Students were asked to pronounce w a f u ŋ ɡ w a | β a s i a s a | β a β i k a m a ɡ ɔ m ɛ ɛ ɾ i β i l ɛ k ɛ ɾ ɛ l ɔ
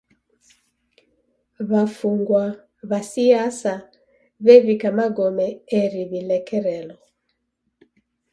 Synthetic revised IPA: β a f u ŋ ɡ w a | β a s i a s a | β ɛ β i k a m a ɡ ɔ m ɛ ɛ ɾ i β i l ɛ k ɛ ɾ ɛ l ɔ